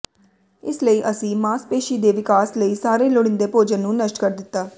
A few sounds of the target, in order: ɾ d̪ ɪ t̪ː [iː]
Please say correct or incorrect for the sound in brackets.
incorrect